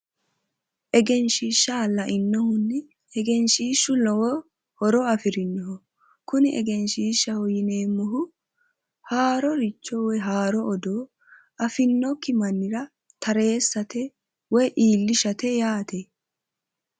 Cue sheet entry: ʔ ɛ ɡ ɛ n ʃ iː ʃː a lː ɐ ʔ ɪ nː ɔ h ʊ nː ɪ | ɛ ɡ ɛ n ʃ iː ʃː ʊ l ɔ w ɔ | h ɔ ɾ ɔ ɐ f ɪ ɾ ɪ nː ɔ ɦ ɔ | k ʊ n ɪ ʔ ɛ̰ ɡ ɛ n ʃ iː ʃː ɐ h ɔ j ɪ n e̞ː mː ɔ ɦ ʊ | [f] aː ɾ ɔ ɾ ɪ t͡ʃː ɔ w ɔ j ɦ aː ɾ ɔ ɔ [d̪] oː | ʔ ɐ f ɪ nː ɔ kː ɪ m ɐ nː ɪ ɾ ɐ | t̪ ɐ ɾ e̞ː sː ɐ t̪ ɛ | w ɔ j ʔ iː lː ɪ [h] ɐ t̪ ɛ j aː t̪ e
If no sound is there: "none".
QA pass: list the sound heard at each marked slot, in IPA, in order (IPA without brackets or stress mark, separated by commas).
h, d̪, ʃ